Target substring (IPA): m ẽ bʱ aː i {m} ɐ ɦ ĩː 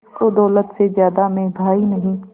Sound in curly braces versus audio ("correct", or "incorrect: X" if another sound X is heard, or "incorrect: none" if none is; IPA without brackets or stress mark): incorrect: n